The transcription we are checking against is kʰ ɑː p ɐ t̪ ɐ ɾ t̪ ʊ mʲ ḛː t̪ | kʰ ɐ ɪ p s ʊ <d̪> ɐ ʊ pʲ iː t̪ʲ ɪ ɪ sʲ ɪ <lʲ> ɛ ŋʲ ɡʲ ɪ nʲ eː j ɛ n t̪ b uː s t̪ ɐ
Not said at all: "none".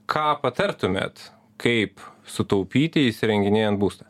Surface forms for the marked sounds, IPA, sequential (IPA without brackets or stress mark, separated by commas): t̪, ɾʲ